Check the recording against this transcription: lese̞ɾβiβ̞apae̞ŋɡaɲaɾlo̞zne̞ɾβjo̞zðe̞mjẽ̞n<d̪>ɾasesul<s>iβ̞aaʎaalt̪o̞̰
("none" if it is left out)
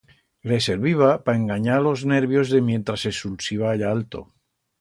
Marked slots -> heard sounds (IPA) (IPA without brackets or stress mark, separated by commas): t̪, s